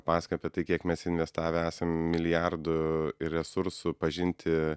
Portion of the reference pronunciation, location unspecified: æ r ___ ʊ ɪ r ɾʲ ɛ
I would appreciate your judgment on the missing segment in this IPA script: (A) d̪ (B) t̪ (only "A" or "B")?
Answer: A